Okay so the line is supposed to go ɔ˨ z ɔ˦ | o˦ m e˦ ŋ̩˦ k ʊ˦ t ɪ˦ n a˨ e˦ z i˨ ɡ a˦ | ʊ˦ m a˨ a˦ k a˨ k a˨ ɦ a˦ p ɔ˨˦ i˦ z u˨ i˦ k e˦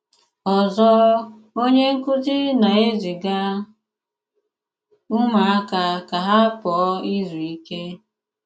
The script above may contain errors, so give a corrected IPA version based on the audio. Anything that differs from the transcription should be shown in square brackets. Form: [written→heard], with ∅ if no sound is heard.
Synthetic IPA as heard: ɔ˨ z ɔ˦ | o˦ [m→ɲ] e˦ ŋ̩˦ k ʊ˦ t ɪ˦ n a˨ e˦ z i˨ ɡ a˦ | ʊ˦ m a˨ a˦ k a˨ k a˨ ɦ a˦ p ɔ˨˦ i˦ z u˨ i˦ k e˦